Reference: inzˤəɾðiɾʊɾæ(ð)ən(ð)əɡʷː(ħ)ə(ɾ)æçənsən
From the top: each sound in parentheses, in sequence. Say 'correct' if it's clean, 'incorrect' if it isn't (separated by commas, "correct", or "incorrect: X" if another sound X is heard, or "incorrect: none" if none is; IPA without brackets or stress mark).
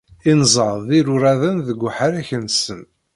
correct, correct, correct, correct